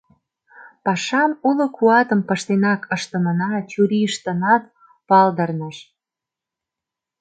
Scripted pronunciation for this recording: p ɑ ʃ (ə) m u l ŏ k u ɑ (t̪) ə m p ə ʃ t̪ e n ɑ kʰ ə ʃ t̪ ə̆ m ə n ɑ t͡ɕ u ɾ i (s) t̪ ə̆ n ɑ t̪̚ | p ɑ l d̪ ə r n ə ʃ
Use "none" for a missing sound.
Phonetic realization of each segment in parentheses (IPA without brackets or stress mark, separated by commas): ɑ, t̪, ʃ